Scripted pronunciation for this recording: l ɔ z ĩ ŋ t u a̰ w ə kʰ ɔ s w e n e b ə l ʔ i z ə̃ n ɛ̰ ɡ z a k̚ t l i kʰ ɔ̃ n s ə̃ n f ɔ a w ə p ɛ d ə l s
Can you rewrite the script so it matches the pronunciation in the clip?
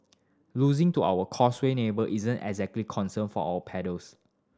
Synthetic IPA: l u z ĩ ŋ t u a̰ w ə kʰ ɔ s w e n e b ə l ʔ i z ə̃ n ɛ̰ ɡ z ɛ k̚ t l i kʰ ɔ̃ n s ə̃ n f ɔ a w ə pʰ ɛ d ə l s